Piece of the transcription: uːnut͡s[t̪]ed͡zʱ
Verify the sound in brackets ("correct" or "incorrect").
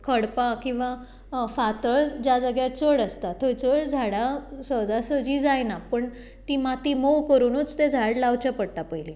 correct